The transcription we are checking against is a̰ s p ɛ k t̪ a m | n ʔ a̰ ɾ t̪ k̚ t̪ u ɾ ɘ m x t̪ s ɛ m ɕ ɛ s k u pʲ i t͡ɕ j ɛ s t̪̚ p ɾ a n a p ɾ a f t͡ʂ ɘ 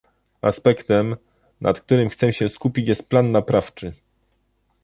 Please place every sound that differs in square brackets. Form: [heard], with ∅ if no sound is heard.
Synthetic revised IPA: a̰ s p ɛ k t̪ [ɛ] m | n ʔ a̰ [∅] t̪ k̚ t̪ u ɾ ɘ m x t̪ s ɛ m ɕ ɛ s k u pʲ i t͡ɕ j ɛ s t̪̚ p [l] a [nː] a p ɾ a f t͡ʂ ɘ